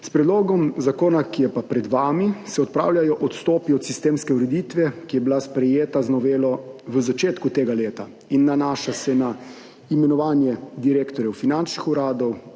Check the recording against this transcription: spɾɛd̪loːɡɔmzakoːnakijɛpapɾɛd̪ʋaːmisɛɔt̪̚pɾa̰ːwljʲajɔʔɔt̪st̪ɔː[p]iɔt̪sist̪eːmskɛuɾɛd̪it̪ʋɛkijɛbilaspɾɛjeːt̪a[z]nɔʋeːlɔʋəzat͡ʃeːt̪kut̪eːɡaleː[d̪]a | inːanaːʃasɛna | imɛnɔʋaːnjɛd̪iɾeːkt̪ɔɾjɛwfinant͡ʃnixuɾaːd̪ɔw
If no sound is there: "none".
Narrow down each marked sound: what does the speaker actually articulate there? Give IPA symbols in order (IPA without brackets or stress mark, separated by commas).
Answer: p, z, t̪